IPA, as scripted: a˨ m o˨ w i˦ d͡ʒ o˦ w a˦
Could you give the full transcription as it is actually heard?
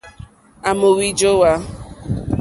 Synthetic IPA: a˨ m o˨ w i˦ d͡ʒ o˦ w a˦